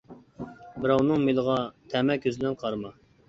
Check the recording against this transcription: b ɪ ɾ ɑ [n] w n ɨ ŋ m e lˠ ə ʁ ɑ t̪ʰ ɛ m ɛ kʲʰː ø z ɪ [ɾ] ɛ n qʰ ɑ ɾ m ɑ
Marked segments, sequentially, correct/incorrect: incorrect: none, incorrect: l

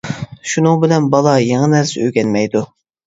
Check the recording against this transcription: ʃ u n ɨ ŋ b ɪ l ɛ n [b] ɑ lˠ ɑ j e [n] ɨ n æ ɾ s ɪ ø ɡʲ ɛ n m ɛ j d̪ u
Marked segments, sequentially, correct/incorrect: correct, incorrect: ŋ

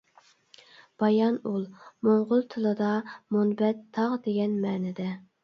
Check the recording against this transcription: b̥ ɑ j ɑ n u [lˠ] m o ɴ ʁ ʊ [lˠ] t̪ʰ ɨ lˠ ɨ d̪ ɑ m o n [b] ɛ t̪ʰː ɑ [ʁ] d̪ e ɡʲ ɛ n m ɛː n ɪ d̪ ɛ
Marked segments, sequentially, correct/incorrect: correct, correct, correct, correct

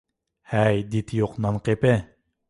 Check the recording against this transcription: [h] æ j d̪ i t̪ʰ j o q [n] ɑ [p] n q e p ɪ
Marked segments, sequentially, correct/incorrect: correct, correct, incorrect: none

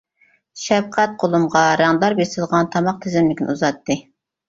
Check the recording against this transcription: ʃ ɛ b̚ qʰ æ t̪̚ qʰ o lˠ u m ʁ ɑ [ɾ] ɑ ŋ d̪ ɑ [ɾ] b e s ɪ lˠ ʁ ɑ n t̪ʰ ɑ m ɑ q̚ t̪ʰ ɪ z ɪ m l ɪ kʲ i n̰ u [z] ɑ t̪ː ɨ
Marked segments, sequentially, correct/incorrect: correct, correct, correct

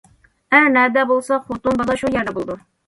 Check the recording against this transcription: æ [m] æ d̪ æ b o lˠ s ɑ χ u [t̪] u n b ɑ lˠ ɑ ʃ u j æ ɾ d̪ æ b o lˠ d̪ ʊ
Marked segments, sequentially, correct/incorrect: incorrect: n, correct

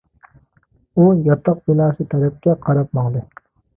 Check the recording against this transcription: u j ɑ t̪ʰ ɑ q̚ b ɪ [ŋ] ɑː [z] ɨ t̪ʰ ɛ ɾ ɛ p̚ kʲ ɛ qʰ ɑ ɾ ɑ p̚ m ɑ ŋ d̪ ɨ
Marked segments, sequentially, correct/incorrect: incorrect: n, incorrect: s

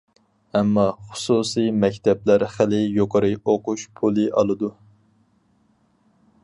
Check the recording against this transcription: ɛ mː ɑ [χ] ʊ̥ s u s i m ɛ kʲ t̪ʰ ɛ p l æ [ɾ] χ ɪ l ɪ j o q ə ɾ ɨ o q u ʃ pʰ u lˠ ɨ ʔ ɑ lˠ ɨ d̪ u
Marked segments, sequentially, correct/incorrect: correct, correct

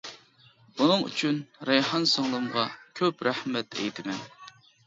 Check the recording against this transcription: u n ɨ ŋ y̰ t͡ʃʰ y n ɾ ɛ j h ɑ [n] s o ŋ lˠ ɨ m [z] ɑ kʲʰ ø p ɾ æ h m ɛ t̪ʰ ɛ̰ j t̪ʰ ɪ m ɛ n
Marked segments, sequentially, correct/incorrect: correct, incorrect: ʁ

